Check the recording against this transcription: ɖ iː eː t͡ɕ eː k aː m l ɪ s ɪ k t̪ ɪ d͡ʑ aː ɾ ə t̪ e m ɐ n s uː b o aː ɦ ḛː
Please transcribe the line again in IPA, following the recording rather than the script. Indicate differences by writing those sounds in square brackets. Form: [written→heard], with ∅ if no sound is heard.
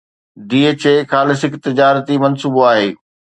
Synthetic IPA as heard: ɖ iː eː t͡ɕ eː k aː [m→∅] l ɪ s ɪ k t̪ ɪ d͡ʑ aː ɾ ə t̪ [e→i] m ɐ n s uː b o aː ɦ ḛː